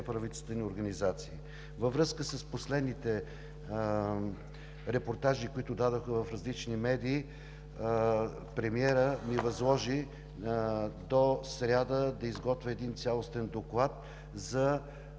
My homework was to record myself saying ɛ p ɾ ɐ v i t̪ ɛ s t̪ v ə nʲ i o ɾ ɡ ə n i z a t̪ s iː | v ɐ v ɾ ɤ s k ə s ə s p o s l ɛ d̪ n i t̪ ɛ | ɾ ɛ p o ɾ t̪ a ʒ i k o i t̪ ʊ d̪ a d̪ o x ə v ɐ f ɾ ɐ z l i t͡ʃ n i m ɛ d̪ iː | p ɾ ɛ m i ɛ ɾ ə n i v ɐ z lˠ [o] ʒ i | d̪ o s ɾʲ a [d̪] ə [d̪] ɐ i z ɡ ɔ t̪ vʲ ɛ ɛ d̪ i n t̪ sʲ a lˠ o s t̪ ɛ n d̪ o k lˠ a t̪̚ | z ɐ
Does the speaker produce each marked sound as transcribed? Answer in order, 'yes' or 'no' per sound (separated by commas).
no, yes, yes